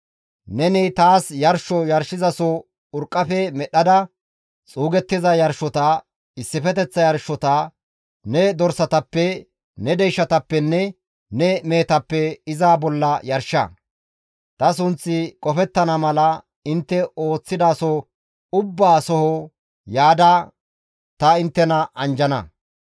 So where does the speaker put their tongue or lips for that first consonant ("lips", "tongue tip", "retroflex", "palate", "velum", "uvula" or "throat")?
tongue tip